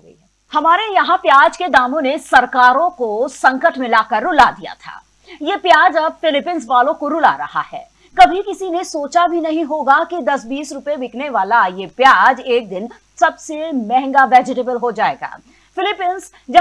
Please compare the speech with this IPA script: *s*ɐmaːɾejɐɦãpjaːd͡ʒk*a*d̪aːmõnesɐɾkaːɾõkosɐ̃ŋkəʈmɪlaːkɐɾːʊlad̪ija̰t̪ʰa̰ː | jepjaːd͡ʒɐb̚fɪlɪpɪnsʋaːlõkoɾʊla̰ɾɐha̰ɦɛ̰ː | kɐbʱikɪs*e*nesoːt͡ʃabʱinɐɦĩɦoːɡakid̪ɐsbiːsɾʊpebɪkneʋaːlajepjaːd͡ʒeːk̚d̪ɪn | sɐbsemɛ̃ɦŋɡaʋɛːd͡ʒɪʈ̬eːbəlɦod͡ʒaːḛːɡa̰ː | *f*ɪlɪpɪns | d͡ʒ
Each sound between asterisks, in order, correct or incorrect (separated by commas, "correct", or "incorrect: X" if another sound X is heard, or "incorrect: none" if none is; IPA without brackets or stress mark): incorrect: h, incorrect: e, incorrect: i, correct